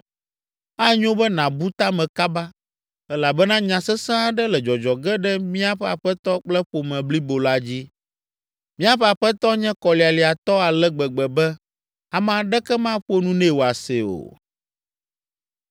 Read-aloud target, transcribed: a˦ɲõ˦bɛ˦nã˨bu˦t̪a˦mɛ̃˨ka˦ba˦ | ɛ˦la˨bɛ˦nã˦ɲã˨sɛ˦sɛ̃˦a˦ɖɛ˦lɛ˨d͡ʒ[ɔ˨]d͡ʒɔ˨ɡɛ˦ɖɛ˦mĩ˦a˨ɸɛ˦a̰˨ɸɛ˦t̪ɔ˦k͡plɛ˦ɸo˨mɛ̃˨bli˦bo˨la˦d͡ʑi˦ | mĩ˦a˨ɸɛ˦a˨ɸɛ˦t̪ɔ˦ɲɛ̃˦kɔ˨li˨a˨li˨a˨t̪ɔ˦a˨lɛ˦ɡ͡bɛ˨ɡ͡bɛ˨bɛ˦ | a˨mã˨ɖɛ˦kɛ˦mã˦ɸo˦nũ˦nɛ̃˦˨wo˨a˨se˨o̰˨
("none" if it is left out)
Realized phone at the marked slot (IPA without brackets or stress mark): ɔ˨